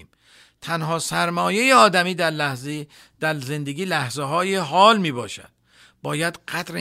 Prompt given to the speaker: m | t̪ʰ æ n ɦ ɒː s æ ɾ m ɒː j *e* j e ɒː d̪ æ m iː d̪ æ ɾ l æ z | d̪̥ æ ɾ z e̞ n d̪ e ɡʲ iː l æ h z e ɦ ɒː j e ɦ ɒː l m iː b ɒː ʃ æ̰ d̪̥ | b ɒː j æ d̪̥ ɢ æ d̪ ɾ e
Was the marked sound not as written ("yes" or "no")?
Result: no